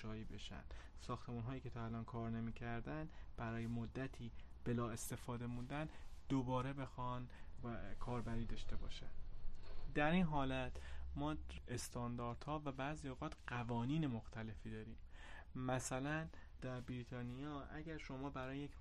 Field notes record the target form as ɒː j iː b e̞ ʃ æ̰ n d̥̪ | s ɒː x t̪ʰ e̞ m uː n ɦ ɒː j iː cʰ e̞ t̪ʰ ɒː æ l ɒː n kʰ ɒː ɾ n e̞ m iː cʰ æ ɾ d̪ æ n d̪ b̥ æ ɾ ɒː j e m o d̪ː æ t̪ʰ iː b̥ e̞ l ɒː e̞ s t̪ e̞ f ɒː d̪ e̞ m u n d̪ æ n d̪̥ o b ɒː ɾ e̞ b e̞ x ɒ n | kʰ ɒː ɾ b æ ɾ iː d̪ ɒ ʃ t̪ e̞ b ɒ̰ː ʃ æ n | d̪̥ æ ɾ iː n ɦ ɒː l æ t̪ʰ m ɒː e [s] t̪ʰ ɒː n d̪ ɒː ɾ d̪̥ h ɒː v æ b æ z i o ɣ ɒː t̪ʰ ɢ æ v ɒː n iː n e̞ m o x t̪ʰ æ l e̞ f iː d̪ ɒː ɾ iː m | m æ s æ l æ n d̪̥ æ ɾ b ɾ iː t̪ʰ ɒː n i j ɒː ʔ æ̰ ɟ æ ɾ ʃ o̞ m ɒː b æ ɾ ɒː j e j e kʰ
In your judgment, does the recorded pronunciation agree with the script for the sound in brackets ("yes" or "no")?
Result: yes